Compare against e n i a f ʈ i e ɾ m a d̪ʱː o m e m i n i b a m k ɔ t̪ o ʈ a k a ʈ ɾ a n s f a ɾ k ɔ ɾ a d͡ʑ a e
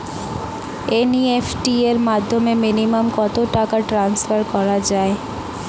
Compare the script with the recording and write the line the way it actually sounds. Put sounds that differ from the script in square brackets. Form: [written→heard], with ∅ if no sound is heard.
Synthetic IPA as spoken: e n i [a→e] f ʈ i e ɾ m a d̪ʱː o m e m i n i [b→m] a m k ɔ t̪ o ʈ a k a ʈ ɾ a n s f a ɾ k ɔ ɾ a d͡ʑ a e